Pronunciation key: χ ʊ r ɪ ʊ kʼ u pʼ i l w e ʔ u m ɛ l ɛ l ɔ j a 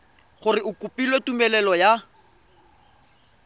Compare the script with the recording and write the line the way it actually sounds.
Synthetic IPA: χ ʊ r ɪ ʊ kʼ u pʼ i l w e t u m ɛ l ɛ l ɔ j a